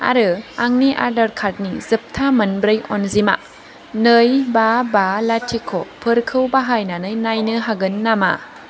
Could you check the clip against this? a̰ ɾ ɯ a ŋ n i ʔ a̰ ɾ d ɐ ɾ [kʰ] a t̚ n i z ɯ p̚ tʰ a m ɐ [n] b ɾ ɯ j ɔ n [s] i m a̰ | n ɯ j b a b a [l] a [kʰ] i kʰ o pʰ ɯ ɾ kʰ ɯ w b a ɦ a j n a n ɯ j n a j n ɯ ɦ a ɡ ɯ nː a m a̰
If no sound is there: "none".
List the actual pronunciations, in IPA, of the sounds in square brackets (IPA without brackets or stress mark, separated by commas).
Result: kʰ, n, z, l, tʰ